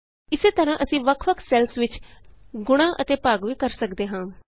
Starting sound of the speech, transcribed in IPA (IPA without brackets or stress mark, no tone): ɪ